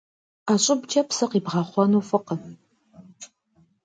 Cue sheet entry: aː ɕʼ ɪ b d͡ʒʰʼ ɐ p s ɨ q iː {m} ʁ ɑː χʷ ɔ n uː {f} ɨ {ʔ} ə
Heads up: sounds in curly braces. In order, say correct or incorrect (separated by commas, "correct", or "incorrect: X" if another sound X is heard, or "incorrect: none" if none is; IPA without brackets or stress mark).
incorrect: b, correct, incorrect: q